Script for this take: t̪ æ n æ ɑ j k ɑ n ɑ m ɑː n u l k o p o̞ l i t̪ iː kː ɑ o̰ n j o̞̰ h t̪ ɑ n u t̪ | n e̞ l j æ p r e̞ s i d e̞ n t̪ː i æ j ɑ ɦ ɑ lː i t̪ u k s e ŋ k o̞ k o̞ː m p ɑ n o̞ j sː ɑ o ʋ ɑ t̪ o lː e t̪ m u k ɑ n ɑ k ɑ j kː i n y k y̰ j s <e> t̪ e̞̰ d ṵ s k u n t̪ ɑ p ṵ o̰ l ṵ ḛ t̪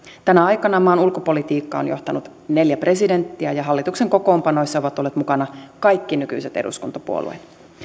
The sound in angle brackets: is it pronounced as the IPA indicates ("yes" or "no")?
yes